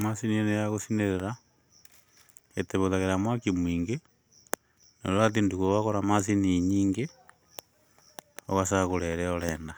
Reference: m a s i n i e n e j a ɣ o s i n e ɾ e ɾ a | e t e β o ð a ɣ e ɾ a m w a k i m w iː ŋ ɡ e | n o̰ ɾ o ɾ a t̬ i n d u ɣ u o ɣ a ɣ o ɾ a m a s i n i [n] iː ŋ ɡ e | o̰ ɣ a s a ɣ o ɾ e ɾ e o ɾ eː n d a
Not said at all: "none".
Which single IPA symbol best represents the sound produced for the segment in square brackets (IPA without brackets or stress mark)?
ɲ